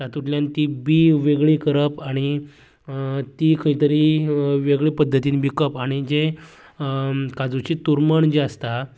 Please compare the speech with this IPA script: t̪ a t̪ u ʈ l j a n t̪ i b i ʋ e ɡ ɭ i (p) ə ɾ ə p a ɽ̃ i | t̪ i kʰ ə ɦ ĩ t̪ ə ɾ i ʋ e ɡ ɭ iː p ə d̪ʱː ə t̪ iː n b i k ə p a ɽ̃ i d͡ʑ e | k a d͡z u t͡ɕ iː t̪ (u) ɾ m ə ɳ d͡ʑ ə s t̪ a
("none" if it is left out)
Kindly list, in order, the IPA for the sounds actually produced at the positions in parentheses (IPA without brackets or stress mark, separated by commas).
k, u